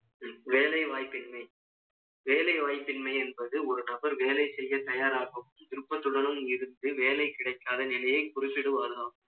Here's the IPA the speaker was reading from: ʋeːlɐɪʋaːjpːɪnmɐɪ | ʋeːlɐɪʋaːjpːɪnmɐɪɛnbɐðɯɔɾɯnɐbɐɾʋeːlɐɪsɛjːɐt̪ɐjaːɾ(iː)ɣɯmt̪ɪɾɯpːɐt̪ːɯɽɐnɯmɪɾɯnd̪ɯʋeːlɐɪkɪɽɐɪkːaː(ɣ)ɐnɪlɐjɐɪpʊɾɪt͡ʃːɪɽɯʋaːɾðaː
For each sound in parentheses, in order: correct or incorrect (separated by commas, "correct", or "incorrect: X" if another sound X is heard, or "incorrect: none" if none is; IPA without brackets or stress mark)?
incorrect: aː, incorrect: ð